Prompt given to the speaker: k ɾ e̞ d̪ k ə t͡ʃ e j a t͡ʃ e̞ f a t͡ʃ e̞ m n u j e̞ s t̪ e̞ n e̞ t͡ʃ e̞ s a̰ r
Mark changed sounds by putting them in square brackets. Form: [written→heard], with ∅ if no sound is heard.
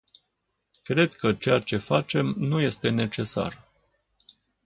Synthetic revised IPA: k ɾ e̞ d̪ k ə t͡ʃ e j a t͡ʃ e̞ f a t͡ʃ e̞ m n u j e̞ s t̪ e̞ n e̞ t͡ʃ e̞ s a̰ r